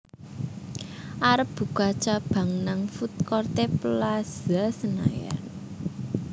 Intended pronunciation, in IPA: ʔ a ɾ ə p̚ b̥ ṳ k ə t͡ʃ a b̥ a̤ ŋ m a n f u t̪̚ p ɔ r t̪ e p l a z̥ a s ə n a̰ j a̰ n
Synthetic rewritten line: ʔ a ɾ ə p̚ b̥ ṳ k a t͡ʃ a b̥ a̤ ŋ n a ŋ f u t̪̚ k ɔ r t̪ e p l a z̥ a s ə n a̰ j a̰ n